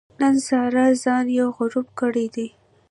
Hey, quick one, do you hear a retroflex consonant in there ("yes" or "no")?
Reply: yes